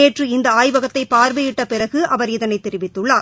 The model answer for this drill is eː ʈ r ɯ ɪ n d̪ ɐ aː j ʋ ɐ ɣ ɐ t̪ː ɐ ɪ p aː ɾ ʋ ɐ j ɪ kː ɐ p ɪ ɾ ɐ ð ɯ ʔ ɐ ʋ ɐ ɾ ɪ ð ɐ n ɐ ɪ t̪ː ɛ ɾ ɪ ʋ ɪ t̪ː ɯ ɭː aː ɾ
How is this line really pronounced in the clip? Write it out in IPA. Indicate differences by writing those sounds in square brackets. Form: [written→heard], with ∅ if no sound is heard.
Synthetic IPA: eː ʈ r ɯ ɪ n d̪ ɐ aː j ʋ ɐ ɣ ɐ t̪ː ɐ ɪ p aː ɾ ʋ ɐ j ɪ [kː→ʈː] ɐ p ɪ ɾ ɐ [ð→ɣ] ɯ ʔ ɐ ʋ ɐ ɾ ɪ ð ɐ n ɐ ɪ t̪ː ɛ ɾ ɪ ʋ ɪ t̪ː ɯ ɭː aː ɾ